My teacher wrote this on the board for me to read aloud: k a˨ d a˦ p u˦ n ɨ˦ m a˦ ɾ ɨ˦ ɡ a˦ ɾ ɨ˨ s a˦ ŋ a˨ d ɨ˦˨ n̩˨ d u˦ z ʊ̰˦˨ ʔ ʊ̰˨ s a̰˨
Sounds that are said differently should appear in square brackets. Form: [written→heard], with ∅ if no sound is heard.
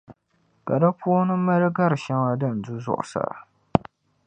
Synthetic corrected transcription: k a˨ d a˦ p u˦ n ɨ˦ m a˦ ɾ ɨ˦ ɡ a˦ ɾ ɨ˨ [s→ʃ] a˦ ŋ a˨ d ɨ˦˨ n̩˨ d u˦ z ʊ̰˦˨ ʔ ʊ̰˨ s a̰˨